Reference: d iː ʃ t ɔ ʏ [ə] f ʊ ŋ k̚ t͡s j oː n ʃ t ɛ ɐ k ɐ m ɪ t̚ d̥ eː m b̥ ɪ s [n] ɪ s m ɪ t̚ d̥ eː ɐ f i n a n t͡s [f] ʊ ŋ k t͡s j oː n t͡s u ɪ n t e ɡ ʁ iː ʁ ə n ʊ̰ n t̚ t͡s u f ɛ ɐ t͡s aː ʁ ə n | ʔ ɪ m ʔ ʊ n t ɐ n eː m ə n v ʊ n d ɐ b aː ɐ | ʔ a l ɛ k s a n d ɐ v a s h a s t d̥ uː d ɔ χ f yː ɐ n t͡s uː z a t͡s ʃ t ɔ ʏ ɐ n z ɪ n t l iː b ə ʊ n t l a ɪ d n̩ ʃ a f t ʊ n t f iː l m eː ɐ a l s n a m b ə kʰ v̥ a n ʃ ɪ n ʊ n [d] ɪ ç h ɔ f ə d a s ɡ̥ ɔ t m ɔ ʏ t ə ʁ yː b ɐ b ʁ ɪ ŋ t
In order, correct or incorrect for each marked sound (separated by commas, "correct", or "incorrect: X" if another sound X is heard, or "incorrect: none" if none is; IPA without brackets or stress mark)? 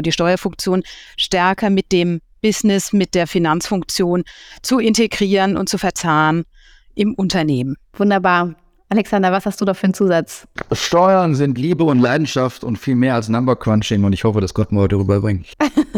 incorrect: ɐ, correct, correct, incorrect: t